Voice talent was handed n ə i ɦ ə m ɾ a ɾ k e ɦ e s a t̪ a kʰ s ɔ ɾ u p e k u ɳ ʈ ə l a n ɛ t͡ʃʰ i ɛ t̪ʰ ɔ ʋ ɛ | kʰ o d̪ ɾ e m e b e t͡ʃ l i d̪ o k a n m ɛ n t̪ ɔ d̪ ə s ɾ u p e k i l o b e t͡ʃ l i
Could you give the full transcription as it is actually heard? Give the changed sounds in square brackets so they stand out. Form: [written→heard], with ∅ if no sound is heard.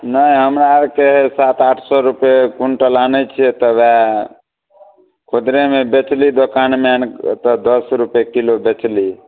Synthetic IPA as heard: n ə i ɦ ə m ɾ a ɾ k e ɦ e s a t̪ a [kʰ→ʈʰ] s ɔ ɾ u p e k u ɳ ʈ ə l a n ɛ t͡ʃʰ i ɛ [t̪ʰ→t̪] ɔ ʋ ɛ | kʰ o d̪ ɾ e m e b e t͡ʃ l i d̪ o k a n m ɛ n t̪ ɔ d̪ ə s ɾ u p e k i l o b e t͡ʃ l i